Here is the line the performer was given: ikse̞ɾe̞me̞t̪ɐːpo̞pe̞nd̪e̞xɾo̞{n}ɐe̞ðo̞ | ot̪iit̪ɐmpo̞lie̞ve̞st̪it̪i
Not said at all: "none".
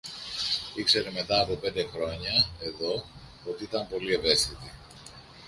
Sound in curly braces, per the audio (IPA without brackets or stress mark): ɲ